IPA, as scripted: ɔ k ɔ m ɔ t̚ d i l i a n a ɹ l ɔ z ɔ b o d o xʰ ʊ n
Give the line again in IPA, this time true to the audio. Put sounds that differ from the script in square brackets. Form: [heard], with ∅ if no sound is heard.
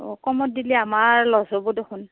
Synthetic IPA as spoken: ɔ k ɔ m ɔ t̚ d i l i a [m] a ɹ l ɔ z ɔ b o d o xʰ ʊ n